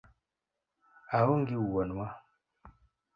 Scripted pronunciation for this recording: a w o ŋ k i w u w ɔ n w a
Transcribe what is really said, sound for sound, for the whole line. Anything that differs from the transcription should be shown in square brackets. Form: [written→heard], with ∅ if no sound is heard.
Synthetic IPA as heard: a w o ŋ [k→ɡ] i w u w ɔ n w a